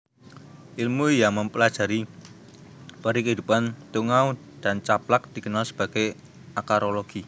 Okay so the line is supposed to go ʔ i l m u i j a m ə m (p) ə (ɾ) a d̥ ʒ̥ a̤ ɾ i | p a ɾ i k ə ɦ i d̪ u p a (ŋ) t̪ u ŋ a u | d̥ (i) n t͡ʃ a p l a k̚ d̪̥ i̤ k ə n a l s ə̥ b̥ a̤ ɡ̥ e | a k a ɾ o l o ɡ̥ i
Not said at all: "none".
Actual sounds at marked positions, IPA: p, l, n, a

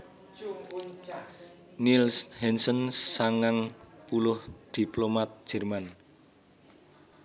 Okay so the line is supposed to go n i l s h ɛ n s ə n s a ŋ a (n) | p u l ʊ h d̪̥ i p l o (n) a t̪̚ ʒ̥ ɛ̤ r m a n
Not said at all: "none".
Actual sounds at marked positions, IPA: ŋ, m

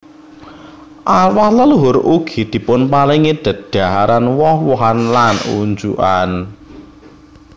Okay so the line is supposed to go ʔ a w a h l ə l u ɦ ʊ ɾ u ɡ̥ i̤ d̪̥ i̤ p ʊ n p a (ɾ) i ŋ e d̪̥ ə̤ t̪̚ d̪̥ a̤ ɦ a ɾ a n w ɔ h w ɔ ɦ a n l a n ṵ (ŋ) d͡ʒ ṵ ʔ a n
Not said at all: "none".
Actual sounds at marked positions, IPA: l, ɲ

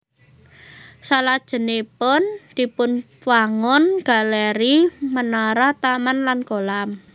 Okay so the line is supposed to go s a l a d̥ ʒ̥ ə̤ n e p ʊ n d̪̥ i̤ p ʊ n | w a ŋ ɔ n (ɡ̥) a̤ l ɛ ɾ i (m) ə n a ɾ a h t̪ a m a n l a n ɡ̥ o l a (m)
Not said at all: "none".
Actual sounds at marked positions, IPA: ɡ̥, m, m

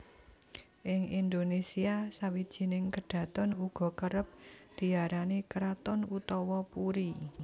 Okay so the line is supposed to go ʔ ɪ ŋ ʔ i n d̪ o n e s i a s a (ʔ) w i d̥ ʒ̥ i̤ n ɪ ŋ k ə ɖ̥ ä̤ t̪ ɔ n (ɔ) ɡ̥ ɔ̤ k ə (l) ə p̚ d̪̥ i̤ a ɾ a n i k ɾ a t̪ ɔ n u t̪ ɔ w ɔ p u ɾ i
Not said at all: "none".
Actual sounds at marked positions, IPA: none, u, ɾ

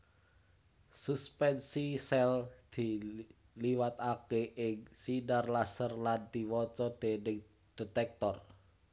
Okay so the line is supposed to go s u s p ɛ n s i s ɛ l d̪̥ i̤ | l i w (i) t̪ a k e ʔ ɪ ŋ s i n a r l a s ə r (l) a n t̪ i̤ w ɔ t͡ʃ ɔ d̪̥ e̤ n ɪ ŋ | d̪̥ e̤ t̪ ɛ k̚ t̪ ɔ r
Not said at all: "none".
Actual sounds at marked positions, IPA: a, l

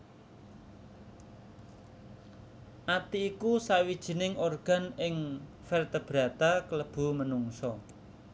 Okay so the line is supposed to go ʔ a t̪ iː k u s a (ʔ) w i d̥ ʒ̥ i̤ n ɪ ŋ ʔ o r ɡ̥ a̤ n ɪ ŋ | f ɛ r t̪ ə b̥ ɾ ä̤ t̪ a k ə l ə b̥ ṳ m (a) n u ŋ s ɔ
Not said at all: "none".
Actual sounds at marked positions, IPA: none, ə

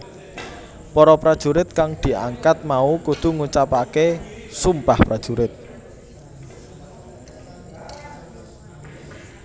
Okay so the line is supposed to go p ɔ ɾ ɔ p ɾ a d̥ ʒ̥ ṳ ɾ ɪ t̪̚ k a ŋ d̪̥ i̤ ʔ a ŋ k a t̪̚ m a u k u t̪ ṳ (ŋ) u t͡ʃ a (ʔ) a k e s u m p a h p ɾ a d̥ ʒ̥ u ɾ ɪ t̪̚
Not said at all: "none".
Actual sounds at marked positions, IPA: ŋ, p

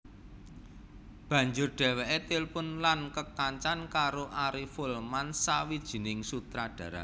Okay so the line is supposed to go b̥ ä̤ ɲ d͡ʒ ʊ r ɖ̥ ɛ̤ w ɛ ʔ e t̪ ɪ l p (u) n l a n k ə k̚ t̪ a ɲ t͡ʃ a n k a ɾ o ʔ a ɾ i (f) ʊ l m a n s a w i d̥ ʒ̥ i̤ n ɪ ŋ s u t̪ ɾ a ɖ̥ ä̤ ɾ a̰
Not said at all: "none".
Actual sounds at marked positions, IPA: ʊ, f

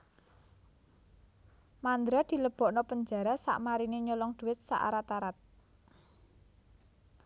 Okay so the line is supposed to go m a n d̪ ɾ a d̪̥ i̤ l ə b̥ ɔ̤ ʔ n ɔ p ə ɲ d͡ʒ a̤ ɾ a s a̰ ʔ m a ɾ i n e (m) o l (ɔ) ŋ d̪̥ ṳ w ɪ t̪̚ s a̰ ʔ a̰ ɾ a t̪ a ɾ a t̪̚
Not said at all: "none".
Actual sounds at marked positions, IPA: ɲ, ɔ

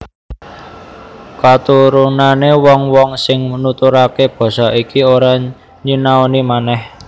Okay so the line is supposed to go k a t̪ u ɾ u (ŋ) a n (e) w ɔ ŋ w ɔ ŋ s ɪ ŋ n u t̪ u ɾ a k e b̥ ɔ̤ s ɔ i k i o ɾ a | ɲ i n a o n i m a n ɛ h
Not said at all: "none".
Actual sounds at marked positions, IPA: n, e

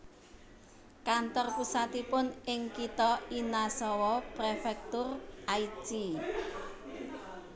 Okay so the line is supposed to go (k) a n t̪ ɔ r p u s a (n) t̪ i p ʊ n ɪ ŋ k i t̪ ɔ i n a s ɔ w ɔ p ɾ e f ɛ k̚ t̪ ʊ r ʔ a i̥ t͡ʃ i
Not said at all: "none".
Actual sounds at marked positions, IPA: k, none

